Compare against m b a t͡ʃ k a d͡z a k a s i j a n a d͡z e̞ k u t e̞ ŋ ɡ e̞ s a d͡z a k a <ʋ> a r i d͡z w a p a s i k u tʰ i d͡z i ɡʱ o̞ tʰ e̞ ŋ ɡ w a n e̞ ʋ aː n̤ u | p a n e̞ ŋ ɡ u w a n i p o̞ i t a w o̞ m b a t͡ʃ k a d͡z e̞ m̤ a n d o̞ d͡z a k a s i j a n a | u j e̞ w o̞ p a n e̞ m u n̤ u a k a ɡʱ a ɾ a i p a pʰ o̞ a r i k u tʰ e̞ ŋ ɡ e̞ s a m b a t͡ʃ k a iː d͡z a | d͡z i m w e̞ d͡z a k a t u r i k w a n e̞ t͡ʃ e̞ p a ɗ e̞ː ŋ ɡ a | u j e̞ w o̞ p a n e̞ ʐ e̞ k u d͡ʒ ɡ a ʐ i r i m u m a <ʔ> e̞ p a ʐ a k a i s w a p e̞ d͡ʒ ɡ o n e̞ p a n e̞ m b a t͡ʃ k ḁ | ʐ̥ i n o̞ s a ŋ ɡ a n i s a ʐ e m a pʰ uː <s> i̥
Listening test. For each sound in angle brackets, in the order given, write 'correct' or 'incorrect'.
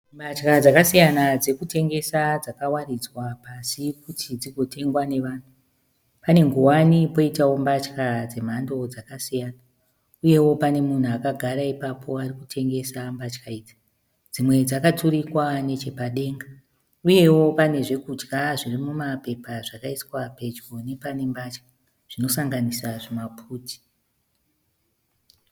incorrect, incorrect, incorrect

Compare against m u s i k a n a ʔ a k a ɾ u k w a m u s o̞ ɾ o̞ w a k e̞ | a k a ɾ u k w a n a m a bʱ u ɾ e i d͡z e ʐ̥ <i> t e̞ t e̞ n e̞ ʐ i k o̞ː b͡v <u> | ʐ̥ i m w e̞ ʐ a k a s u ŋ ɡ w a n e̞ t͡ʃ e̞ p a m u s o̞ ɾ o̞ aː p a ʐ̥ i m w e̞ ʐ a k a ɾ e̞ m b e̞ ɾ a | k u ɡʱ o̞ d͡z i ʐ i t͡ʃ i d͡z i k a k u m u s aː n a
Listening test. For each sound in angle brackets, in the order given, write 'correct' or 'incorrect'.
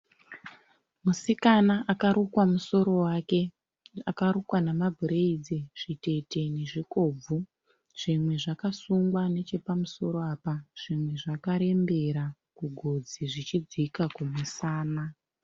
correct, correct

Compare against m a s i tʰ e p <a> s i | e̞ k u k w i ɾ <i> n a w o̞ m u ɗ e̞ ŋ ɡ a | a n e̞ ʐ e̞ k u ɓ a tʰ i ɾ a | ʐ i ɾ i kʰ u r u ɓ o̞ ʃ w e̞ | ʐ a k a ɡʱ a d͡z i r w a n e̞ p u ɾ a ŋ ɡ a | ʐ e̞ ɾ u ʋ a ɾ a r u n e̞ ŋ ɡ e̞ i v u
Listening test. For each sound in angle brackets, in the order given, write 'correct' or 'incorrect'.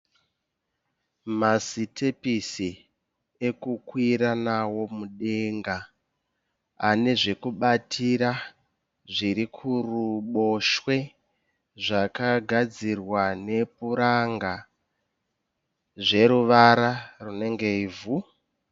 incorrect, incorrect

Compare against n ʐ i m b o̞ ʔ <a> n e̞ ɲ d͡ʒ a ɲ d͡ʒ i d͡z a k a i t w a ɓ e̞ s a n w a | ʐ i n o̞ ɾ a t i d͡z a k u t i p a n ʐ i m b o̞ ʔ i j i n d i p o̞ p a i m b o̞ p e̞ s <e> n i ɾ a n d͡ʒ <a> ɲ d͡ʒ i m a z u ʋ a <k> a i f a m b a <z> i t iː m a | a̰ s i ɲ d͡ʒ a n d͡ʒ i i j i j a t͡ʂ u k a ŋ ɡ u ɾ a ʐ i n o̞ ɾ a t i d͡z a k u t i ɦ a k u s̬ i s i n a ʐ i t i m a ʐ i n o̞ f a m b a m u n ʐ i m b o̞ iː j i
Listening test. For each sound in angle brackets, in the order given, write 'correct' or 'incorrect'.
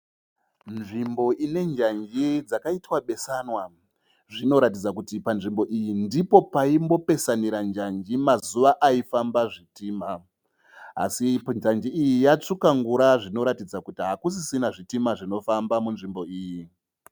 incorrect, incorrect, correct, incorrect, incorrect

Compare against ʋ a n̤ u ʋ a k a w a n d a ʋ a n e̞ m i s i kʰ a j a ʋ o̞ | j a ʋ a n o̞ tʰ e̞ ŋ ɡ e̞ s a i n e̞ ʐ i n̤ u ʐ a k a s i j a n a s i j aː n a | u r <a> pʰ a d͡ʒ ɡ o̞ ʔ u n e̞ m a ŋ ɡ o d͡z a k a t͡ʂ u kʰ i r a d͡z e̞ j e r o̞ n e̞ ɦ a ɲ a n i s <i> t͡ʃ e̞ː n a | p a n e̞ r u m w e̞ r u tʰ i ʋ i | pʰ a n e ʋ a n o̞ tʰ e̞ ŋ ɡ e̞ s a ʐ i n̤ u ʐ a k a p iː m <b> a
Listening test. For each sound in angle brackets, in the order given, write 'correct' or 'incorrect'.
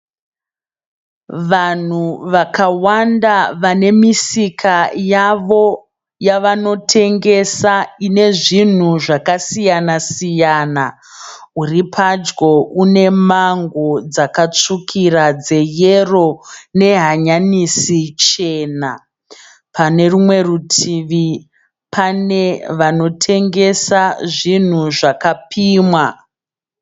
incorrect, correct, incorrect

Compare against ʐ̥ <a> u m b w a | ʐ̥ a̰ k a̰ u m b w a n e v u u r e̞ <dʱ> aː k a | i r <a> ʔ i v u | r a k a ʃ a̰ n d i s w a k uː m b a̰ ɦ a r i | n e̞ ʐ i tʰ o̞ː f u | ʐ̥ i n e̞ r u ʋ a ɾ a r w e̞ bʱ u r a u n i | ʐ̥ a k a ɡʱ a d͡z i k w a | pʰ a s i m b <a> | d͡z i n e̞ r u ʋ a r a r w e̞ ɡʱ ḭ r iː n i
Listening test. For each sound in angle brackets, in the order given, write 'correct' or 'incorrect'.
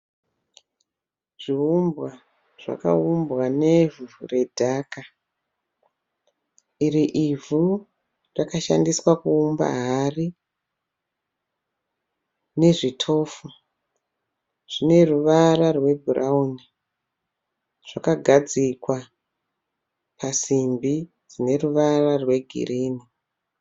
incorrect, correct, incorrect, incorrect

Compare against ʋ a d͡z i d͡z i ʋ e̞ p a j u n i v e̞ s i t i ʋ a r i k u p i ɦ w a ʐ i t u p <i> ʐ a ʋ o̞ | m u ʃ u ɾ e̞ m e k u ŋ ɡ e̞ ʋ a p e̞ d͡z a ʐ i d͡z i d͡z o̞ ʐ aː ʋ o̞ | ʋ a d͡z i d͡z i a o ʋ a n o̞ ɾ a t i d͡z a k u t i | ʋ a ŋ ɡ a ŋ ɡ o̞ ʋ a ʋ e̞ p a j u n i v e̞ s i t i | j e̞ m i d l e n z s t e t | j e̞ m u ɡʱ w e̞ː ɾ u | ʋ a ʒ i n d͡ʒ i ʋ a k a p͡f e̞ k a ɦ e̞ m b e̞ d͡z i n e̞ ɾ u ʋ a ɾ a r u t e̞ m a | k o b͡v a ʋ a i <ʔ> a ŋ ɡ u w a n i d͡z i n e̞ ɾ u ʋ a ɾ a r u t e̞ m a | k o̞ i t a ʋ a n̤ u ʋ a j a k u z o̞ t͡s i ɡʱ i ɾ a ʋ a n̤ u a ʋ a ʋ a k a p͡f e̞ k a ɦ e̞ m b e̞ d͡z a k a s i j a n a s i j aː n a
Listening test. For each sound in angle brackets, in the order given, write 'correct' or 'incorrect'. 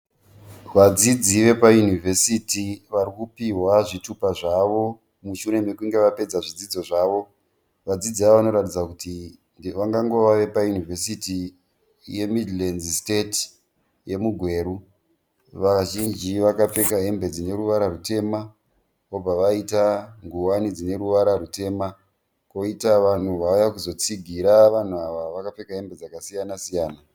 incorrect, incorrect

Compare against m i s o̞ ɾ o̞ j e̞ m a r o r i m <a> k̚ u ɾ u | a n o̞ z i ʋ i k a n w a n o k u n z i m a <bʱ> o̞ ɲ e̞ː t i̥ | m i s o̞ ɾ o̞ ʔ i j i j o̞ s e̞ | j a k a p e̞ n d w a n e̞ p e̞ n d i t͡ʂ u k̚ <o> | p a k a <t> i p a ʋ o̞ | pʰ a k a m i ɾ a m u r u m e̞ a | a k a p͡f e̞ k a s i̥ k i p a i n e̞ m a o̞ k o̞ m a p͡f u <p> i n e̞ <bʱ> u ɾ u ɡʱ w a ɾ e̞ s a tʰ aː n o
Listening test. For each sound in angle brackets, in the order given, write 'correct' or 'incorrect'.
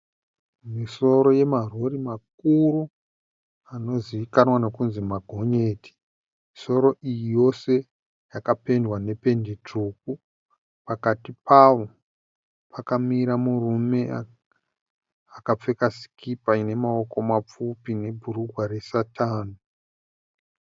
correct, incorrect, incorrect, correct, correct, correct

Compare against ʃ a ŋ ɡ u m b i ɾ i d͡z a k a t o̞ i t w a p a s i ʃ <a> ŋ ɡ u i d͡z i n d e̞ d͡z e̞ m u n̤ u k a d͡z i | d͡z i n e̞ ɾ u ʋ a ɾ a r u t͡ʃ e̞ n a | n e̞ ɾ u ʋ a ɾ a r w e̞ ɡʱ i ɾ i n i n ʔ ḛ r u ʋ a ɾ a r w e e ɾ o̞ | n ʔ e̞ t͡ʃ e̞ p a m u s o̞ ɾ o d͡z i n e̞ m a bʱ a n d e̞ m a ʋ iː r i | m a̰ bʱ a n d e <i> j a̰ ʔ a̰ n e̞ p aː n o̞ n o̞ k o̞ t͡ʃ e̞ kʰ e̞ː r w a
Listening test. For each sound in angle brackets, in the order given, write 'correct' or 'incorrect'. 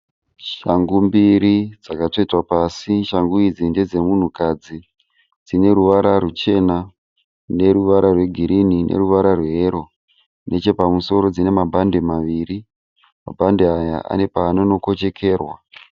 correct, incorrect

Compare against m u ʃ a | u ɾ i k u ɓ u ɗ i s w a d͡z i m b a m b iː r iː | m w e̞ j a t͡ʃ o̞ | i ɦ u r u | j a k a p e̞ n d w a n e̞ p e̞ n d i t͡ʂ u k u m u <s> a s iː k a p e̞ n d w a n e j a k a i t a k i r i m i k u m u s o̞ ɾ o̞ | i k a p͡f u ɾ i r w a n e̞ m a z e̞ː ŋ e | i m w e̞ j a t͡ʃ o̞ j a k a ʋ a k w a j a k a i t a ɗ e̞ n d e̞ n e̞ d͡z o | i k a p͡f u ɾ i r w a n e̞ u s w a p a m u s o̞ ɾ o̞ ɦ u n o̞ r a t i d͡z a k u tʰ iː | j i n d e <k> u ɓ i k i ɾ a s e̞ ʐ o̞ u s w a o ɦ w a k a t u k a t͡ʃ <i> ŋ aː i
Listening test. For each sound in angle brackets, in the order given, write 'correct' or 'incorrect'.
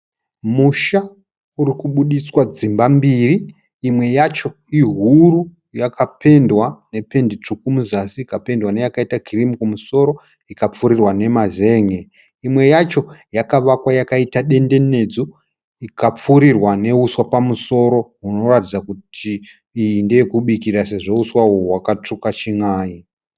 incorrect, correct, correct

